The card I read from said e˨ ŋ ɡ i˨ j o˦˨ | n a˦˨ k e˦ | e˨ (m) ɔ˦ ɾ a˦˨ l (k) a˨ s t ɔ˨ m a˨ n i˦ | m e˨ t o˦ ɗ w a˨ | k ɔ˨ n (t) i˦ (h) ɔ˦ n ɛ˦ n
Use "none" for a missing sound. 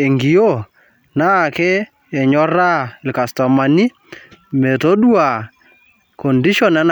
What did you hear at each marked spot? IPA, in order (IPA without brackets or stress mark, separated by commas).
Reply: ɲ, k, d, ʃ